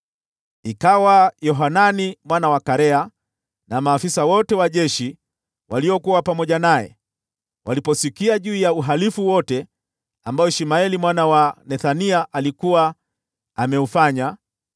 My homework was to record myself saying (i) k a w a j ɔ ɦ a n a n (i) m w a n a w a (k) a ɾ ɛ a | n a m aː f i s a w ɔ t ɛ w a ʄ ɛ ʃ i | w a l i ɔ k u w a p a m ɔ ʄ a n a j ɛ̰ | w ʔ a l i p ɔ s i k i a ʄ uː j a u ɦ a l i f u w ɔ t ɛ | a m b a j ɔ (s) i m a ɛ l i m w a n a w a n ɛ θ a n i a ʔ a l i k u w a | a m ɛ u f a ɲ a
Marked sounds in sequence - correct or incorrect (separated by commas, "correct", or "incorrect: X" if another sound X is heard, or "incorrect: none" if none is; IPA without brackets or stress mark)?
correct, correct, correct, incorrect: ʃ